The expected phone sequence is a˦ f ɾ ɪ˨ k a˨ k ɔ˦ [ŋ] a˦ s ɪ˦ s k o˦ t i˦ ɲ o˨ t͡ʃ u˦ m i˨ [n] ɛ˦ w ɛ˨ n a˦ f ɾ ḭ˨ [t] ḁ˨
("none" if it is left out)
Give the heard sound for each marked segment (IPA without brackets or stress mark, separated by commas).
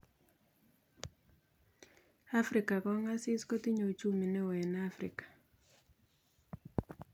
ŋ, n, k